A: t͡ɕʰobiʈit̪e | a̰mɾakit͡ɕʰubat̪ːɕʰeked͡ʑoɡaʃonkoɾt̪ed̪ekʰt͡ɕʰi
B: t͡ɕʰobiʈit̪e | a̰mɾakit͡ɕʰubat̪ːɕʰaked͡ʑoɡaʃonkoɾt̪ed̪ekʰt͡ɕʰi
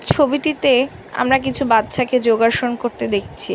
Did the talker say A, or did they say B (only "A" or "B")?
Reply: B